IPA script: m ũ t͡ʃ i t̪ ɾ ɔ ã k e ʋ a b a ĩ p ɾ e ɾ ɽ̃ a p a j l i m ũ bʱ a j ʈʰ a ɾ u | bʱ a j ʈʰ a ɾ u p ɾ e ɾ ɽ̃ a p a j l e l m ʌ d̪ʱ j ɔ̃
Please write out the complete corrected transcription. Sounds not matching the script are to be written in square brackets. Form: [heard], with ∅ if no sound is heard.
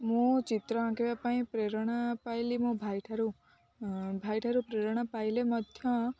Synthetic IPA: m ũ t͡ʃ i t̪ ɾ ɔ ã k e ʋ a [p] a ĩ p ɾ e ɾ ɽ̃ a p a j l i m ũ bʱ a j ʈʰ a ɾ u | bʱ a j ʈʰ a ɾ u p ɾ e ɾ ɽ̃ a p a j l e [∅] m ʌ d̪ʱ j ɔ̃

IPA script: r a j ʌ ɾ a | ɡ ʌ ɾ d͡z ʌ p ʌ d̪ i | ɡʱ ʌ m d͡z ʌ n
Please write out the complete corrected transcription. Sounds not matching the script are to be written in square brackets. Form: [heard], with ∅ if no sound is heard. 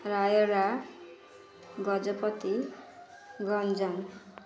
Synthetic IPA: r a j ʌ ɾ a | ɡ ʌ [∅] d͡z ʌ p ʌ [t̪] i | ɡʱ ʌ [n] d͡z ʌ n

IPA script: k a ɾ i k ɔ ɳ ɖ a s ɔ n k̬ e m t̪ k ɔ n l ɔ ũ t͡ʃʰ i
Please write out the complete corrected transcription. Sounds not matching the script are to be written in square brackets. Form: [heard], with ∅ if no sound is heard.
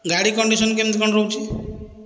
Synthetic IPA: [ɡ] a [ɽ] i k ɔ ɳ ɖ [i] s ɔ n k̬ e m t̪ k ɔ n [ɾ] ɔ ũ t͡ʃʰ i

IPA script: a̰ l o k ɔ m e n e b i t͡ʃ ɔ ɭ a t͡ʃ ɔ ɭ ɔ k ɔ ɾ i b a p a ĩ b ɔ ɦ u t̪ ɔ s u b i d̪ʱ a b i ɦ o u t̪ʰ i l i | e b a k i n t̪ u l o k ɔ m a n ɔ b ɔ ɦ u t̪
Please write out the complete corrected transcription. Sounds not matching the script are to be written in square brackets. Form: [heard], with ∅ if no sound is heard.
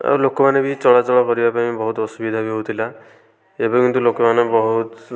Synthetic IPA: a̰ l o k ɔ m [a] n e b i t͡ʃ ɔ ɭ a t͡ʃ ɔ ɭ ɔ k ɔ ɾ i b a p a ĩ b ɔ ɦ u t̪ ɔ s u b i d̪ʱ a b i ɦ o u t̪ʰ i l [a] | e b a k i n t̪ u l o k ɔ m a n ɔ b ɔ ɦ u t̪

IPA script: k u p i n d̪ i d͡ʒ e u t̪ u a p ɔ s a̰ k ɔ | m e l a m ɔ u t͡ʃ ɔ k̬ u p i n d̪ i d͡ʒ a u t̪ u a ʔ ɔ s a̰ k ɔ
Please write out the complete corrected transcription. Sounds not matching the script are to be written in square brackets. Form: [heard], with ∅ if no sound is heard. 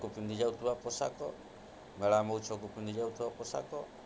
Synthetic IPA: k u p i n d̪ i d͡ʒ [a] u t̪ u a p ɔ s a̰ k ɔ | m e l a m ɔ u t͡ʃ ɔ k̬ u p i n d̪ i d͡ʒ a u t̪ u a [p] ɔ s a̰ k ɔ

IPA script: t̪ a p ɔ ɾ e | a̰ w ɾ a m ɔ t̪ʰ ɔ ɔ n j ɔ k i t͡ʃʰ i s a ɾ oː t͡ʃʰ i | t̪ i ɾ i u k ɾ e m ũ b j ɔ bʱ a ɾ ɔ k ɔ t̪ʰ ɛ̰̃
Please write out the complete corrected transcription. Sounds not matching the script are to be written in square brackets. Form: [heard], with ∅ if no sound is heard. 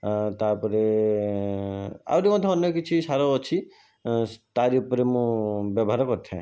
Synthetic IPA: t̪ a p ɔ ɾ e | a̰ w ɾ [i] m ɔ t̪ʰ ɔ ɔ n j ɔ k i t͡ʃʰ i s a ɾ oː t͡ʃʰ i | t̪ [a] ɾ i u [p] ɾ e m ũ b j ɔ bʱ a ɾ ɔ k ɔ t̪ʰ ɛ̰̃

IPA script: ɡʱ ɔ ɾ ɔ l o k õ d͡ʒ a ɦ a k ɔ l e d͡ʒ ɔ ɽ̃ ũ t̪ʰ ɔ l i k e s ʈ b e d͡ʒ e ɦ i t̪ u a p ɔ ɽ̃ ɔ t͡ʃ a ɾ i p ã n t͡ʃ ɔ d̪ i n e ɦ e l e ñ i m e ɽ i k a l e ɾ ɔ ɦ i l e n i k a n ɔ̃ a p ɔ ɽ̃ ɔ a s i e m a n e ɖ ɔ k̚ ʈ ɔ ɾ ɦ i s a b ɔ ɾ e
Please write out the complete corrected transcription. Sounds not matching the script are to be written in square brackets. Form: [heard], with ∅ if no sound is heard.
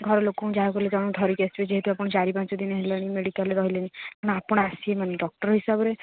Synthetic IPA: ɡʱ ɔ ɾ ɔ l o k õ d͡ʒ a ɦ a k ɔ l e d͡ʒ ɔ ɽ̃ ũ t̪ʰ ɔ [ɾ] i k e s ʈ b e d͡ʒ e ɦ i t̪ u a p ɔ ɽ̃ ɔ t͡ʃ a ɾ i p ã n t͡ʃ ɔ d̪ i n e ɦ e l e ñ i m e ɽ i k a l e ɾ ɔ ɦ i l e n i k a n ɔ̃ a p ɔ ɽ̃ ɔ a s i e m a n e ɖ ɔ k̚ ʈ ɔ ɾ ɦ i s a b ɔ ɾ e

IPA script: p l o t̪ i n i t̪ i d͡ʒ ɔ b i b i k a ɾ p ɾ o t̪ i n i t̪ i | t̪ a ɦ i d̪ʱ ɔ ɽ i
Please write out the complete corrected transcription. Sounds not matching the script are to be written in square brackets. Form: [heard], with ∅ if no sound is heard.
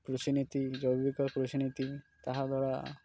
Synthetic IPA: p [ɾ] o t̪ i n i t̪ i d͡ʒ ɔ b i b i k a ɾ p ɾ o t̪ i n i t̪ i | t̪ a ɦ [a] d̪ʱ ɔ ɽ [a]

